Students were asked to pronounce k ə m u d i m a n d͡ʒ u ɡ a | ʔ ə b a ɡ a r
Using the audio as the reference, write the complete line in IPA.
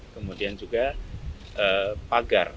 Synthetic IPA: k ə m u d i a n d͡ʒ u ɡ a | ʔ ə p a ɡ a r